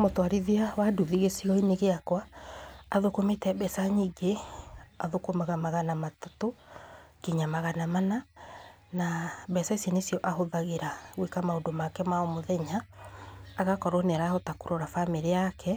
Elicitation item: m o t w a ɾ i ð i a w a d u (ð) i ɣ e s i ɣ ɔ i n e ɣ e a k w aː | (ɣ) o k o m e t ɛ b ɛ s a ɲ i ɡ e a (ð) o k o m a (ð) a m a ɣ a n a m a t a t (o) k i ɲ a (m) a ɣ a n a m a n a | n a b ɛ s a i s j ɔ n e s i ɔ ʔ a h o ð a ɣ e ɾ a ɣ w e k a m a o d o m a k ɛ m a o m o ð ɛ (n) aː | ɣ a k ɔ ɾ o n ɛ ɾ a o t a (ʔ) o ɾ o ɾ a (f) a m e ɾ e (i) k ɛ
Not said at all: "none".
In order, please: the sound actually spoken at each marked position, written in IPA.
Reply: ð, ð, ð, ɣ, o, m, ɲ, k, f, a

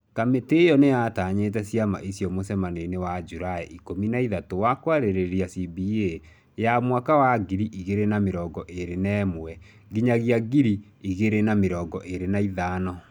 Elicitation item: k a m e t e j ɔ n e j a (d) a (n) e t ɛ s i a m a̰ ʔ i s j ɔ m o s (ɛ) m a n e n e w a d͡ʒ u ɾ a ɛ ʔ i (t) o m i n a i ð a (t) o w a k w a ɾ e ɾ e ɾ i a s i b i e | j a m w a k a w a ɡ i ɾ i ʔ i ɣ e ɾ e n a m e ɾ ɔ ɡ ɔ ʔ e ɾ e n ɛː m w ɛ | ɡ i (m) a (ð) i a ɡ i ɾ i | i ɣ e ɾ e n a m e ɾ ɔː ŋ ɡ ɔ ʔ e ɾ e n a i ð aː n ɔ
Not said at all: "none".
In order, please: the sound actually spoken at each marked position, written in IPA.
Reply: t, ɲ, ɛ, k, t, ɲ, ɣ

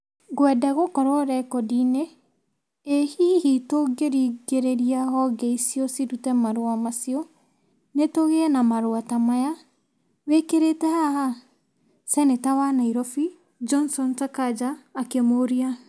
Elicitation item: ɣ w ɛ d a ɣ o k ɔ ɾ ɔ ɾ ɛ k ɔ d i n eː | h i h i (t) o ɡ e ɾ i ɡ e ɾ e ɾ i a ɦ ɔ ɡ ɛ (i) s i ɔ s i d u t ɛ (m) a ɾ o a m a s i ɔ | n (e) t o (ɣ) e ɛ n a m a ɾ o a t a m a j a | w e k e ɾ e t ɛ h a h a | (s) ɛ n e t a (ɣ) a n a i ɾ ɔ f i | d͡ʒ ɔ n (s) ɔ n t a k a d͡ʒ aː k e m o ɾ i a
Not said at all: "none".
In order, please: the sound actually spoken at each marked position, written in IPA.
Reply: t, i, m, e, ɣ, s, w, s

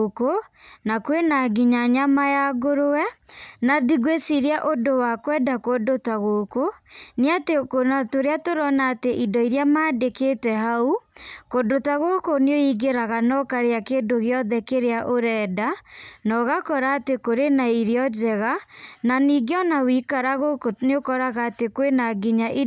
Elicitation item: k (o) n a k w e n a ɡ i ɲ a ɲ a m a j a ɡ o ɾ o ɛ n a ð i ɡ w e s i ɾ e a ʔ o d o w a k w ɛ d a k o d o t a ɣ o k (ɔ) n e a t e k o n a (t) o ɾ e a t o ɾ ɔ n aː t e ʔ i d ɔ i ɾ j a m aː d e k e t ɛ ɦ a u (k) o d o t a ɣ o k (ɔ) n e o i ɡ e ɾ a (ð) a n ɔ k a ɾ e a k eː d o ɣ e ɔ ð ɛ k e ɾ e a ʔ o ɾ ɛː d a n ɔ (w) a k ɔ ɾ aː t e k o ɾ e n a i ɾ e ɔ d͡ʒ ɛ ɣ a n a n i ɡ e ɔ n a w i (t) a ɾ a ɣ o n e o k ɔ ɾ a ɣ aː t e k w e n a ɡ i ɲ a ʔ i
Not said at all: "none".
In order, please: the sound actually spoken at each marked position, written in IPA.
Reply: o, o, t, k, o, ɣ, ɣ, k

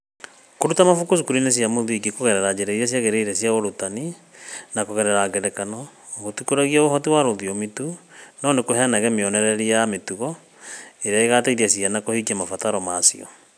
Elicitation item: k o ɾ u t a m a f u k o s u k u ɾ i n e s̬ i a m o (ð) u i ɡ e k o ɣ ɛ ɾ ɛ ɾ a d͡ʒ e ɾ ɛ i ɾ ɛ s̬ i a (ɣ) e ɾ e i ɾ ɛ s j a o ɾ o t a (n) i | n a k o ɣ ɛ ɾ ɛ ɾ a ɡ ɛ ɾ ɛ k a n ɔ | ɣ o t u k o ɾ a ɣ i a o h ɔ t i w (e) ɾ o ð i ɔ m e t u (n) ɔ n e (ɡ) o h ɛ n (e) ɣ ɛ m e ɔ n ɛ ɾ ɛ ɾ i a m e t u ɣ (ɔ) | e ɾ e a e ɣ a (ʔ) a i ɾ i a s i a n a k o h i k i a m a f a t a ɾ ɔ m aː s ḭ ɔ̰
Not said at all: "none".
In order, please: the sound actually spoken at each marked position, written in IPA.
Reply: ð, ɣ, n, a, n, k, a, ɔ, t

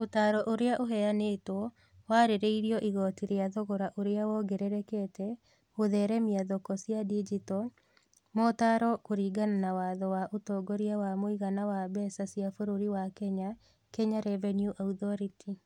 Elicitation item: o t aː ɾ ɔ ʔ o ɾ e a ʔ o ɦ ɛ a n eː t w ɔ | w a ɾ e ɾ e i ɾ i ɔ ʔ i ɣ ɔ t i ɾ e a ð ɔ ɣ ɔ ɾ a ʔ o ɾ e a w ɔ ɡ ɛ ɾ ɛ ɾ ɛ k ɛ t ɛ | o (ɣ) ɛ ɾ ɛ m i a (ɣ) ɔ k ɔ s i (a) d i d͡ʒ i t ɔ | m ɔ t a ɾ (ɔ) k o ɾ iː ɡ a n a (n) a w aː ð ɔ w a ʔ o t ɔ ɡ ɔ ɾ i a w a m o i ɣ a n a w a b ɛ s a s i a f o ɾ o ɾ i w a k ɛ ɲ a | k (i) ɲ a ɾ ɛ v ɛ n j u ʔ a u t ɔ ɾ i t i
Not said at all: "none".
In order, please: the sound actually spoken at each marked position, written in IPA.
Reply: ð, ð, a, ɔ, n, ɛ

